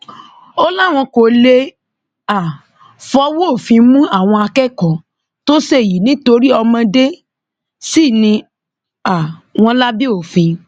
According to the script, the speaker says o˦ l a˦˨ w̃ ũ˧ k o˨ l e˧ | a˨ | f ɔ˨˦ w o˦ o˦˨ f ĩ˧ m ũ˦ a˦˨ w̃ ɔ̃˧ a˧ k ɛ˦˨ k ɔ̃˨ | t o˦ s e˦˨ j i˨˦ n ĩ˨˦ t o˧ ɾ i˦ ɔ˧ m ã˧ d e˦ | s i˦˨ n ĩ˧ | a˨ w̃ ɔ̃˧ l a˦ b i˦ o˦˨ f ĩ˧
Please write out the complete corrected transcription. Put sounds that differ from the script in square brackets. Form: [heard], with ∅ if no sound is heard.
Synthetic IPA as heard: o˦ l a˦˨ w̃ [ɔ̃˧] k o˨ l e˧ | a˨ | f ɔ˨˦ w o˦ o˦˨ f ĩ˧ m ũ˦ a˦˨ w̃ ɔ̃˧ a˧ k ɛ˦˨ k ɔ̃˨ | t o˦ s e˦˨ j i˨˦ n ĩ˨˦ t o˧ ɾ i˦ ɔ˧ m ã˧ d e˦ | s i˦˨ n ĩ˧ | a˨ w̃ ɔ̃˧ l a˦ b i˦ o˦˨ f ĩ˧